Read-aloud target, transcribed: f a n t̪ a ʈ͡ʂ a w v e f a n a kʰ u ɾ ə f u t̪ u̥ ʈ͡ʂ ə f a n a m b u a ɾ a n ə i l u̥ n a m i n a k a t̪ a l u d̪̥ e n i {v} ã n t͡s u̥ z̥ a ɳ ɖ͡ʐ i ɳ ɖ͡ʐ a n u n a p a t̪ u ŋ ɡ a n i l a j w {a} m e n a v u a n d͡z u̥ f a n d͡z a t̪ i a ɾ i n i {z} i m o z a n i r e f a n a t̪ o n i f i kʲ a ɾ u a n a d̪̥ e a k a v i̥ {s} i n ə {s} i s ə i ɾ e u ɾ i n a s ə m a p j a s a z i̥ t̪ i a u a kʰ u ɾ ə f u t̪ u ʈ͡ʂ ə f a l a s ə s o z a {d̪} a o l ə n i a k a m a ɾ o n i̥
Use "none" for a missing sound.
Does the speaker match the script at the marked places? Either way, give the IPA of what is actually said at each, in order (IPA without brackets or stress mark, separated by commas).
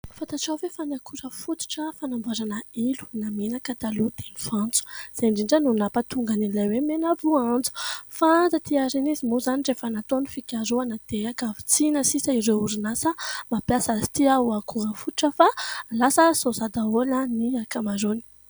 f, e, z, t͡s, s, d̪